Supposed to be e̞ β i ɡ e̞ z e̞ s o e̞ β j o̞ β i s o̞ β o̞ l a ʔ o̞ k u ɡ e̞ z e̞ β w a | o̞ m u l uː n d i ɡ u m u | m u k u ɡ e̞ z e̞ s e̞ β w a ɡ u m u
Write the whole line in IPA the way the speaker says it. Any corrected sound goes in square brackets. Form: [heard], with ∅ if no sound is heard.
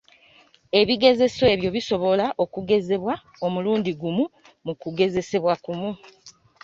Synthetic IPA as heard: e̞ β i ɡ e̞ z e̞ s o e̞ β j o̞ β i s o̞ β o̞ l a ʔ o̞ k u ɡ e̞ z e̞ β w a | o̞ m u l uː n d i ɡ u m u | m u k u ɡ e̞ z e̞ s e̞ β w a [k] u m u